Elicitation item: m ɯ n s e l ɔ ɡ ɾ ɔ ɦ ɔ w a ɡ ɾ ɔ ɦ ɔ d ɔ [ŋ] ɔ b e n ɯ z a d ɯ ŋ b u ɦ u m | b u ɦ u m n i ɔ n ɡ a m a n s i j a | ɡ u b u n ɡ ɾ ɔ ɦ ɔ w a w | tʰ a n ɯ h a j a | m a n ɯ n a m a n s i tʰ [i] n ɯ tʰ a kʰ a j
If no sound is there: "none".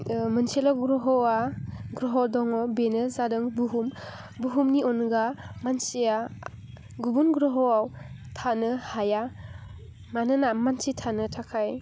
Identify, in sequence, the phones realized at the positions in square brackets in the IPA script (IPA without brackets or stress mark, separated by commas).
ŋ, a